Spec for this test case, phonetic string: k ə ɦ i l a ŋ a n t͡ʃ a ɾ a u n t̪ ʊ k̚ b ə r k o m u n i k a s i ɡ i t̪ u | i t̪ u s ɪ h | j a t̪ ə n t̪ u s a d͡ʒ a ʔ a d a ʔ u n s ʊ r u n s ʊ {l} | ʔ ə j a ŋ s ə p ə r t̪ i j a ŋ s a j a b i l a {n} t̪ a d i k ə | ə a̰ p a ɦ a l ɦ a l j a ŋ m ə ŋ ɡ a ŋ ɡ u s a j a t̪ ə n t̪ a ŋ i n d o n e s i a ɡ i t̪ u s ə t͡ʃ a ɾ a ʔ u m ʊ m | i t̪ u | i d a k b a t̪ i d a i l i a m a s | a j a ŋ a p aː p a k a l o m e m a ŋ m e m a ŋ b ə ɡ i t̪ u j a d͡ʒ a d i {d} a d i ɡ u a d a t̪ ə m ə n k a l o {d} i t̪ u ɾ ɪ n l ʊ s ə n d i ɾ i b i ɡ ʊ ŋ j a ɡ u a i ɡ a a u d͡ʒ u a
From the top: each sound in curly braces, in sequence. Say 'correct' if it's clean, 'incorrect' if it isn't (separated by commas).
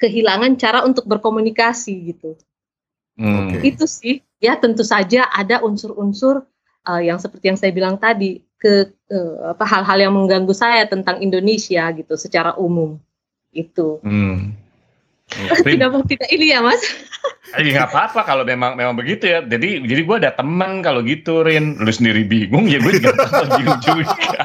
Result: incorrect, incorrect, incorrect, incorrect